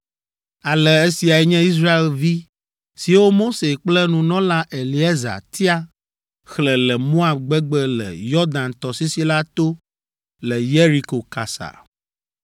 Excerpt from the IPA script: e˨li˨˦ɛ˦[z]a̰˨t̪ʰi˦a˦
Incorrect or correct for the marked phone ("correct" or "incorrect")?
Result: correct